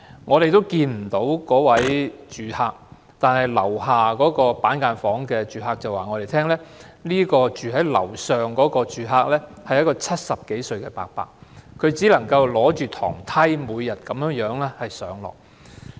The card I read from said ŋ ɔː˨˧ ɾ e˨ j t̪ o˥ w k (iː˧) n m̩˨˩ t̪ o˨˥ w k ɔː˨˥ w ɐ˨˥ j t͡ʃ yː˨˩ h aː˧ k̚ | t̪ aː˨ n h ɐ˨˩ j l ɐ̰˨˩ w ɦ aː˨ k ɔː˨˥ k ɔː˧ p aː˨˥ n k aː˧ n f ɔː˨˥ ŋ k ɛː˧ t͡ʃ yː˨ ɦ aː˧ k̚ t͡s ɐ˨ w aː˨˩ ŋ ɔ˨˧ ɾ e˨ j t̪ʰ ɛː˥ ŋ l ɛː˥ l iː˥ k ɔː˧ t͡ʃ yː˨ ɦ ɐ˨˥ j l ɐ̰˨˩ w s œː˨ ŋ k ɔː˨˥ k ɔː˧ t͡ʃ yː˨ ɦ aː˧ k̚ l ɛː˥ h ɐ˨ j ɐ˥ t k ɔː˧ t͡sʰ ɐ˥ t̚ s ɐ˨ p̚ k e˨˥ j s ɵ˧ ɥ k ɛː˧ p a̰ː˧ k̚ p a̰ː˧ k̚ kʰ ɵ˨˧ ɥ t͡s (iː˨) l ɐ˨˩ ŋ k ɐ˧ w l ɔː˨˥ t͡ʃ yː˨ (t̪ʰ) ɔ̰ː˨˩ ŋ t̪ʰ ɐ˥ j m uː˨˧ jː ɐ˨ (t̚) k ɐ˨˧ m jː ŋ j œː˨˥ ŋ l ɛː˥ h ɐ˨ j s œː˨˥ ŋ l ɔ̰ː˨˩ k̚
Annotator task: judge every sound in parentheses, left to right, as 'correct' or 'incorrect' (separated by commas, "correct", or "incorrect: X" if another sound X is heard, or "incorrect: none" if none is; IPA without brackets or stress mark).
correct, incorrect: iː˨˥, correct, correct